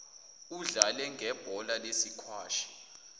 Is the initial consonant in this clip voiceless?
no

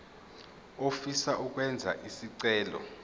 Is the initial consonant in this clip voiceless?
yes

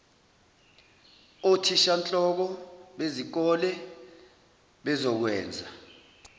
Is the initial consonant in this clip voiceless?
yes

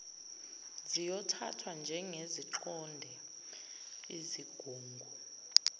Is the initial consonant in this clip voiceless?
no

